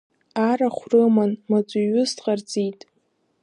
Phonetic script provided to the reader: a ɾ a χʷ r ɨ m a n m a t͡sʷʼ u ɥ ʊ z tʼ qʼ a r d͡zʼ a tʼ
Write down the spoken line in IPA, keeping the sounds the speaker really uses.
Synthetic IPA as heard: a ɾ a χʷ r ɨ m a n m a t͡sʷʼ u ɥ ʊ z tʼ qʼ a r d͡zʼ i tʼ